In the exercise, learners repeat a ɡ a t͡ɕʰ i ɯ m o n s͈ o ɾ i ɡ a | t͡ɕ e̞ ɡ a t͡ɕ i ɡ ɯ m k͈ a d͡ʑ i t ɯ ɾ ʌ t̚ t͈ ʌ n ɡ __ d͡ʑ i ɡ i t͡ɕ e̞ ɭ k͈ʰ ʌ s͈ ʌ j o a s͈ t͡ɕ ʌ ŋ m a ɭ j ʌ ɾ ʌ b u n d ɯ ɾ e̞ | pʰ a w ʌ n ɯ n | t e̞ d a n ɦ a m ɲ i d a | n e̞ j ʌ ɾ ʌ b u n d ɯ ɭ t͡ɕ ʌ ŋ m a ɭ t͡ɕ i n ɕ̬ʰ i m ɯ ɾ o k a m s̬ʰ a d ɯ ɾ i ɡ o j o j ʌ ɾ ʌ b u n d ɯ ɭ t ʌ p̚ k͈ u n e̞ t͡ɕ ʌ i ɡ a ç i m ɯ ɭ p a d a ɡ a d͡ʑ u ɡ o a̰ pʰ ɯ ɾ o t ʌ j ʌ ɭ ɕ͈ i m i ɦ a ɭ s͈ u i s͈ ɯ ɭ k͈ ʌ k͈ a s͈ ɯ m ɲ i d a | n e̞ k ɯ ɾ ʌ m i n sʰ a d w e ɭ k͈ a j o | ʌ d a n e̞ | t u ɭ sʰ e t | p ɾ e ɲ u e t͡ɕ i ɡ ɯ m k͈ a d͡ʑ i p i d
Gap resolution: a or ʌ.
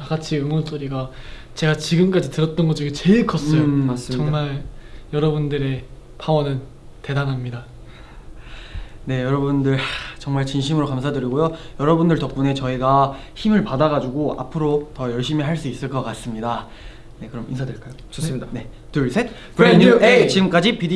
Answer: ʌ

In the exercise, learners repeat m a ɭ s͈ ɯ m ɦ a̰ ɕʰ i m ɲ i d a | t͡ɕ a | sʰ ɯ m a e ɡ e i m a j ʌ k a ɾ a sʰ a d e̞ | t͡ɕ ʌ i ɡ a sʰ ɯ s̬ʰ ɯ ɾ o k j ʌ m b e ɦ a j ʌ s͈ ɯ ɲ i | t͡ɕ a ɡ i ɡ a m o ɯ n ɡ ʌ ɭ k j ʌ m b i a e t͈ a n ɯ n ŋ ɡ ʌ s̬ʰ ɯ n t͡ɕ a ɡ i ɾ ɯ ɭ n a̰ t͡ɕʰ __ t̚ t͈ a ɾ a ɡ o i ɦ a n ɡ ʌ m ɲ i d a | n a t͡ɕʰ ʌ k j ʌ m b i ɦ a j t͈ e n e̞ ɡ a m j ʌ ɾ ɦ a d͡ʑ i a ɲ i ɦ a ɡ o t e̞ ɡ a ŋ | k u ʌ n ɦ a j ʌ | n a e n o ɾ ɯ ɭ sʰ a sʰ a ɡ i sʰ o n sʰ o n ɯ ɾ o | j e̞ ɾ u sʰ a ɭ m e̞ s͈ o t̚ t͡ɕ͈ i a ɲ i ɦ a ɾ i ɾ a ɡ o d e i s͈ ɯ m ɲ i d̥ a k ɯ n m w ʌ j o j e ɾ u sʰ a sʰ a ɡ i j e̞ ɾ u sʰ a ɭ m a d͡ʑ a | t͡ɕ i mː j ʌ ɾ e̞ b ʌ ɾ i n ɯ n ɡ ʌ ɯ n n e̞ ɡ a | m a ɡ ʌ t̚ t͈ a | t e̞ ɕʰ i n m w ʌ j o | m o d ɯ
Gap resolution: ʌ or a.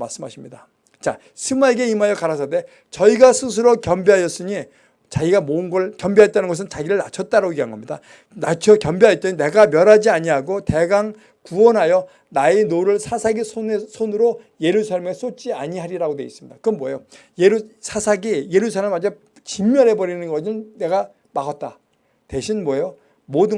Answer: ʌ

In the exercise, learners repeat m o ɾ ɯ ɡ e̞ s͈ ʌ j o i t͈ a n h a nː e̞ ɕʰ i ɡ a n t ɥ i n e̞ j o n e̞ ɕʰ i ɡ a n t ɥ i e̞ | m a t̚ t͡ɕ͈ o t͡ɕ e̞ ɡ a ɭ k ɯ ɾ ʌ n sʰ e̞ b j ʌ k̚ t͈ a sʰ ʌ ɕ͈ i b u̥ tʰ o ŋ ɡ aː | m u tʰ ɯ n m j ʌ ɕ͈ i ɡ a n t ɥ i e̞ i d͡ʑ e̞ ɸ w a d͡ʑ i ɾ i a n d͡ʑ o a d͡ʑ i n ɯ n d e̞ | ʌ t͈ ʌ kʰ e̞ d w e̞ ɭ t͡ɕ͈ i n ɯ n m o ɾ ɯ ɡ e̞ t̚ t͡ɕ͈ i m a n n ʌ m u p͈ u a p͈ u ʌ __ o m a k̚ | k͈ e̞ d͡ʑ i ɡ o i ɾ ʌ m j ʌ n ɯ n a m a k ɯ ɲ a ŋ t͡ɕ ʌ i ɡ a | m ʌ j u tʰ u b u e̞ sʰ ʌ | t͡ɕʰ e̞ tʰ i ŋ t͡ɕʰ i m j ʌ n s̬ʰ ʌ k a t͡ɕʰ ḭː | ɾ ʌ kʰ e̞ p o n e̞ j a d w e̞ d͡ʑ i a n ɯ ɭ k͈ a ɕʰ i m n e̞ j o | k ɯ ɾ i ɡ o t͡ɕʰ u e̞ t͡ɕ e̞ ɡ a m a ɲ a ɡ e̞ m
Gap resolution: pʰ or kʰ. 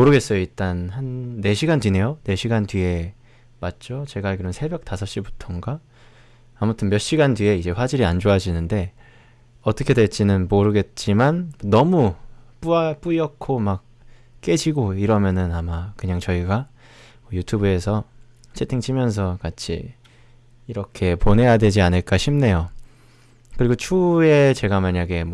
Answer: kʰ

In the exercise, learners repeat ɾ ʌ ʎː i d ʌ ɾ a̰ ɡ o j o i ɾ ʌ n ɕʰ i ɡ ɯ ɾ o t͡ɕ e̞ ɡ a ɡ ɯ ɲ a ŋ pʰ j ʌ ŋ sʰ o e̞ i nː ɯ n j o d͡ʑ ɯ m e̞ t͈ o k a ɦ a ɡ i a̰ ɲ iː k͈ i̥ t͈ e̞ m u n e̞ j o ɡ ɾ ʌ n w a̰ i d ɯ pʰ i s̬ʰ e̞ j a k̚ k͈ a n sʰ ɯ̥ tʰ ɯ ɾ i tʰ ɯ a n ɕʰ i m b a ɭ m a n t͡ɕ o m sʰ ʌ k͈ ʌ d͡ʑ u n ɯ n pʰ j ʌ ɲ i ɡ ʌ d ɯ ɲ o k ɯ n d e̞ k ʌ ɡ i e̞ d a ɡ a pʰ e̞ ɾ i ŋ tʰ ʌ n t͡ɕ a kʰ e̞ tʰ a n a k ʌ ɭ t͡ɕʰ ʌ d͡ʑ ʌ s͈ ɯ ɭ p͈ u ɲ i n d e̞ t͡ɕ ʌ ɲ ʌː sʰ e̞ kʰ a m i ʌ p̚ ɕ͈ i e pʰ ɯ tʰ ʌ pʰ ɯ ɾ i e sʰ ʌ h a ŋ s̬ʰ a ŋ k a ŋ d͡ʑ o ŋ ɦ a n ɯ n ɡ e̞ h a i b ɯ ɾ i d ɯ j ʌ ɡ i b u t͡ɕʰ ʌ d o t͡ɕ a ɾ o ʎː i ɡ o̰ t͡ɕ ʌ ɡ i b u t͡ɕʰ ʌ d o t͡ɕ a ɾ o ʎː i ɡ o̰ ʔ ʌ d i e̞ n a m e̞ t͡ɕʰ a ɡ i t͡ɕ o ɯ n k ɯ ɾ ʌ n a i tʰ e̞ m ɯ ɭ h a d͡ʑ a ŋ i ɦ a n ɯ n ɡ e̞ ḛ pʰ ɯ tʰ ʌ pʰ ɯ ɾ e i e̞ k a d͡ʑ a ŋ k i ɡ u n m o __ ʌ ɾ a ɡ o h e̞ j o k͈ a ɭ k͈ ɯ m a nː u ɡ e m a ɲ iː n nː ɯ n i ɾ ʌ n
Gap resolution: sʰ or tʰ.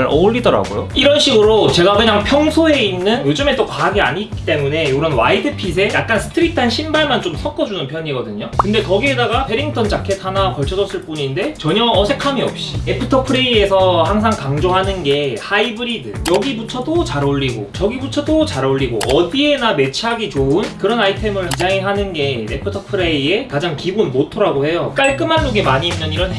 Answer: tʰ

